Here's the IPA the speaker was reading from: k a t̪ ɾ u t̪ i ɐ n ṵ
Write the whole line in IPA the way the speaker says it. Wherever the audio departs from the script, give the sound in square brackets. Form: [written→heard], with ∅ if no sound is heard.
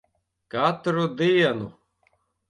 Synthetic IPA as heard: k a t̪ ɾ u [t̪→d̪] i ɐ n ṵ